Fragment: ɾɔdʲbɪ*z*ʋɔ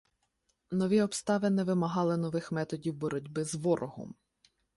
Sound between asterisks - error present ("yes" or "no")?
no